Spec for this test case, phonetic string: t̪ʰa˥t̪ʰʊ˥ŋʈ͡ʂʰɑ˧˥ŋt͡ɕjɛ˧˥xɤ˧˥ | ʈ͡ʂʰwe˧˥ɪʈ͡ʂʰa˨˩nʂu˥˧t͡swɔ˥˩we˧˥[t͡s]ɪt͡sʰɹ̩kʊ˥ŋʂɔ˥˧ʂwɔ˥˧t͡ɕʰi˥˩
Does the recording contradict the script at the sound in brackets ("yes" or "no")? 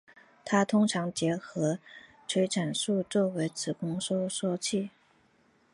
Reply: yes